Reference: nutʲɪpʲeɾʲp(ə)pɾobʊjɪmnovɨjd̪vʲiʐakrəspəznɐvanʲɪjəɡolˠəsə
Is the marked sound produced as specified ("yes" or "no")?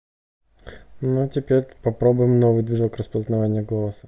no